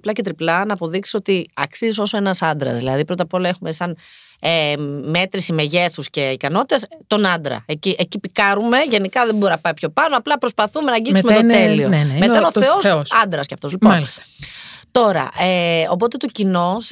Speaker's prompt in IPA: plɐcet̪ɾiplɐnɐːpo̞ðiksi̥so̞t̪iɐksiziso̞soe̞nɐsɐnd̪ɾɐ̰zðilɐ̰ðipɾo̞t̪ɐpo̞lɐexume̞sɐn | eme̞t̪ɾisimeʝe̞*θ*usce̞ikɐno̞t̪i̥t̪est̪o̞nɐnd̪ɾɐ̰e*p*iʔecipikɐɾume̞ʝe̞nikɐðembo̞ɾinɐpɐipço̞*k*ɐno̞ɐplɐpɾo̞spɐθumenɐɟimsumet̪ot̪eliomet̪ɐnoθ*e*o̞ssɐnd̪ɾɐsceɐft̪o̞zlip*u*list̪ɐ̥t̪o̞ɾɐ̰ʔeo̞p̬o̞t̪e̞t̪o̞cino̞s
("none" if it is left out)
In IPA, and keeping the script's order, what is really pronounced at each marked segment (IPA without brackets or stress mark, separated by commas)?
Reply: θ, c, p, e, o